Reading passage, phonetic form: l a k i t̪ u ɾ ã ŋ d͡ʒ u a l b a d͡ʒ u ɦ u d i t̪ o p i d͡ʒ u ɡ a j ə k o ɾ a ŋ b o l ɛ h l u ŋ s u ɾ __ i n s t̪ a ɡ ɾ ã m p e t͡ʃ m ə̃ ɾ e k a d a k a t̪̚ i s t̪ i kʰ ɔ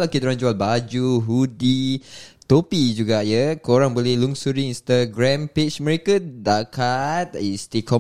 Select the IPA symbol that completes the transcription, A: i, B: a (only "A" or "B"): A